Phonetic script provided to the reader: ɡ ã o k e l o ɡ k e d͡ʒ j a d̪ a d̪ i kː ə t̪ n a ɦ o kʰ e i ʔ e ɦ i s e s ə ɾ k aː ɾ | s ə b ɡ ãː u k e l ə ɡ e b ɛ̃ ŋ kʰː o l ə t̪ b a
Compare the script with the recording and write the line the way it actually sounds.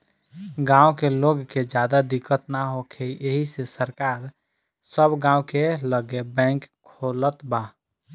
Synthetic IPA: ɡ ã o k e l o ɡ k e d͡ʒ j a d̪ a d̪ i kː ə t̪ n a ɦ o kʰ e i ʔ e ɦ i s e s ə ɾ k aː ɾ | s ə b ɡ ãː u k e l ə ɡ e b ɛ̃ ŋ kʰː o l ə t̪ b a